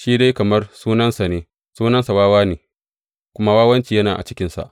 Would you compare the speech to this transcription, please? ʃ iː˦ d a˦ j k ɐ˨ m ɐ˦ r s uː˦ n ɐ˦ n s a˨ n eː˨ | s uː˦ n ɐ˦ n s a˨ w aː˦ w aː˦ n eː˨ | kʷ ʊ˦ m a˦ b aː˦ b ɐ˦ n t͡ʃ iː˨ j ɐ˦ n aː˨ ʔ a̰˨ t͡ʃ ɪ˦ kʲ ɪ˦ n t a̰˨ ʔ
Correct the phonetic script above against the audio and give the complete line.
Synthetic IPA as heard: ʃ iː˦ d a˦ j k ɐ˨ m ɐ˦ r s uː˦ n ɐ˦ n s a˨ n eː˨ | s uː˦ n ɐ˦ n s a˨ w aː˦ w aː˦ n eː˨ | kʷ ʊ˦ m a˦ w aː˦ w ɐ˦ n t͡ʃ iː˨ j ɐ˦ n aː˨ ʔ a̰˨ t͡ʃ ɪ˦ kʲ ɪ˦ n s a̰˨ ʔ